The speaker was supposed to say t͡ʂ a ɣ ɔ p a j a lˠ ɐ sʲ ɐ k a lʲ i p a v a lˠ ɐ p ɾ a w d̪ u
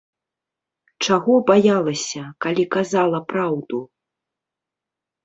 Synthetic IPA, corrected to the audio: t͡ʂ a ɣ ɔ b a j a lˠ ɐ sʲ ɐ k a lʲ i k a z a lˠ ɐ p ɾ a w d̪ u